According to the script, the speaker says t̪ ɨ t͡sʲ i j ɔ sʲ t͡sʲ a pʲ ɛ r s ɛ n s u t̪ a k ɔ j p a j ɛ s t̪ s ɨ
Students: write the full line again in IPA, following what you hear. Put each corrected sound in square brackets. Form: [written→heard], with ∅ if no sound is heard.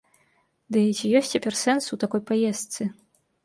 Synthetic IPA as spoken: [t̪→d̪] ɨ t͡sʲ i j ɔ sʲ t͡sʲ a pʲ ɛ r s ɛ n s u t̪ a k ɔ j p a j ɛ s t̪ s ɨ